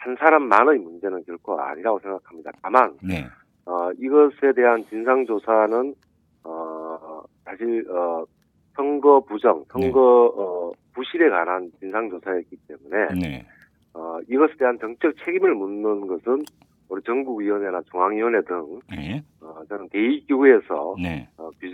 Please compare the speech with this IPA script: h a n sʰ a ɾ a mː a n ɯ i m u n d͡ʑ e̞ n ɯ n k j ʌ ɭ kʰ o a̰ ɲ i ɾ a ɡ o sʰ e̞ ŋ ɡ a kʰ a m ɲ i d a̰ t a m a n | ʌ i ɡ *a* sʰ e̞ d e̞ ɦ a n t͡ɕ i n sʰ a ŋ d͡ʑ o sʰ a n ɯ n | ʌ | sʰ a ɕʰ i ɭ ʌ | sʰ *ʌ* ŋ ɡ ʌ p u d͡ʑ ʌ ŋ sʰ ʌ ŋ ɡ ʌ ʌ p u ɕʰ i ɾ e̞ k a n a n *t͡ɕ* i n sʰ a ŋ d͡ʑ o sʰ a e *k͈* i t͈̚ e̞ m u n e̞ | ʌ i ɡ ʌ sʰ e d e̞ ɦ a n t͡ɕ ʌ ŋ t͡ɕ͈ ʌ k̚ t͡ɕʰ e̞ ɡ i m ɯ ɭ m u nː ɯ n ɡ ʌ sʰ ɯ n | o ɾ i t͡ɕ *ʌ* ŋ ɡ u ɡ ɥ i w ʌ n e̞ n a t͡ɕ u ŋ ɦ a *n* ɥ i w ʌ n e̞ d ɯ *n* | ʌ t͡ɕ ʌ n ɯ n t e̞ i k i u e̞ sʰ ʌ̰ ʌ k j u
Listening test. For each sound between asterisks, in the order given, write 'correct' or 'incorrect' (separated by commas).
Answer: incorrect, correct, correct, correct, correct, incorrect, incorrect